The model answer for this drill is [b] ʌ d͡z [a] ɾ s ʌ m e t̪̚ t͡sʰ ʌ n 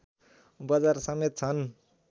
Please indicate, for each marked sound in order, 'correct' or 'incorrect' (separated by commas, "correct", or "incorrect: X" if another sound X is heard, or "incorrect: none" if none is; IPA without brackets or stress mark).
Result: correct, correct